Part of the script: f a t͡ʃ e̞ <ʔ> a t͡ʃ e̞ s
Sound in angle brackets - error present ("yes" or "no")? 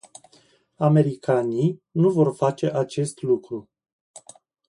no